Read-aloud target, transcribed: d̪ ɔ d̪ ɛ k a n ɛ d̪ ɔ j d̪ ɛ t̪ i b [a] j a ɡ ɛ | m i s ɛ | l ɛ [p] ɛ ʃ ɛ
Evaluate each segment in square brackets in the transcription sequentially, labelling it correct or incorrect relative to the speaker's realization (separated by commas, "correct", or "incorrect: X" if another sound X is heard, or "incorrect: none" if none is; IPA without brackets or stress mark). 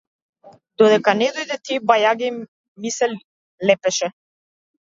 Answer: correct, correct